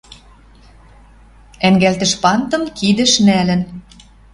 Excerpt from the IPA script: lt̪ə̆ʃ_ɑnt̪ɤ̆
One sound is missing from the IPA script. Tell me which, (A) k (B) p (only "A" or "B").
B